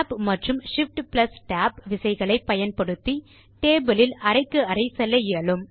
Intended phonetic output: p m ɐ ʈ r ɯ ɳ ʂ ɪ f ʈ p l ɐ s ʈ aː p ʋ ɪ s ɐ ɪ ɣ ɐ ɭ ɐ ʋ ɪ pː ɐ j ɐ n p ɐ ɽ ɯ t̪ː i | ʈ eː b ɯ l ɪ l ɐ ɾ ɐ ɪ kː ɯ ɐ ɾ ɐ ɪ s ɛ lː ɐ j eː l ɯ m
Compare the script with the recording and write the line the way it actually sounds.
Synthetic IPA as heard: p m ɐ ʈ r ɯ m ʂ ɪ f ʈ p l ɐ s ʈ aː p ʋ ɪ s ɐ ɪ ɣ ɐ ɭ ɐ ɪ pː ɐ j ɐ n p ɐ ɽ ɯ t̪ː i | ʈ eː b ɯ l ɪ l ɐ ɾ ɐ ɪ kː ɯ ɐ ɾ ɐ ɪ s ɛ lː ɐ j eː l ɯ m